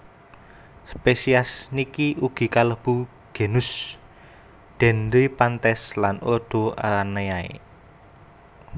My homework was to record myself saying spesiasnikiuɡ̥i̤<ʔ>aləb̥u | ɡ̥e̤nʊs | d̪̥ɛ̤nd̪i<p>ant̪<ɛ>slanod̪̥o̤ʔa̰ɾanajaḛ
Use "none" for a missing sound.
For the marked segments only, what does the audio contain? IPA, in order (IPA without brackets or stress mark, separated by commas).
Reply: k, p, ɛ